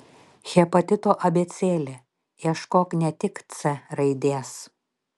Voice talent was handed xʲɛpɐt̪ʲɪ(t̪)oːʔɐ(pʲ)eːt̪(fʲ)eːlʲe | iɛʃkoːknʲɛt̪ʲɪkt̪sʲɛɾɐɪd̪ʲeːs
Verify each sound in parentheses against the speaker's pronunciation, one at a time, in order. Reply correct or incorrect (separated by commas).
correct, incorrect, incorrect